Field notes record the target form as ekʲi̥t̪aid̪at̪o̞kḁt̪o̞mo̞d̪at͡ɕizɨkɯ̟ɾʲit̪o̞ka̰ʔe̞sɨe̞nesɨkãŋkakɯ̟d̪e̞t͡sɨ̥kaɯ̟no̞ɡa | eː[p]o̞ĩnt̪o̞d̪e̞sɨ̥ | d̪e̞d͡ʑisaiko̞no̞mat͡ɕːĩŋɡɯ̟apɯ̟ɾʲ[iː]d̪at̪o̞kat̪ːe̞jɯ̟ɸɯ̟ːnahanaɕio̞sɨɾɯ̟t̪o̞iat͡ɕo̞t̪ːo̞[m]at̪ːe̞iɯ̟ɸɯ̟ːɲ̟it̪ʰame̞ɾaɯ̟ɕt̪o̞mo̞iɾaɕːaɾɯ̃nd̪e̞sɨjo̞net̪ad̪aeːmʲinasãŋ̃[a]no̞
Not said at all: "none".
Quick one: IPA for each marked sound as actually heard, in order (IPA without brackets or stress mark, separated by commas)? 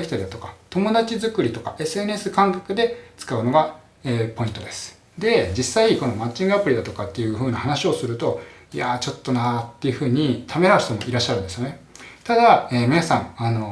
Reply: p, i, n, a